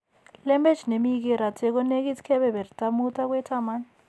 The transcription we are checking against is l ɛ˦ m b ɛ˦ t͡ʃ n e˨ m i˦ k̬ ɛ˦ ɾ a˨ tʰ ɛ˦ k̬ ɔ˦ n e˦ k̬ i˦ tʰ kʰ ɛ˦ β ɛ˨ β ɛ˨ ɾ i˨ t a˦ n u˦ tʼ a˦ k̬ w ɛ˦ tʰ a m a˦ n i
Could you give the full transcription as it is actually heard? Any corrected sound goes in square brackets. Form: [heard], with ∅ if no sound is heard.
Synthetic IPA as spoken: l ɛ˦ m b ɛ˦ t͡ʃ n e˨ m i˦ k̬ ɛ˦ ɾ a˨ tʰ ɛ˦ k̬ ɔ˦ n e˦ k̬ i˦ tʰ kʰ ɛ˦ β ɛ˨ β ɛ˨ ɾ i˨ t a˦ [m] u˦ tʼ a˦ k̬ w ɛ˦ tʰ a m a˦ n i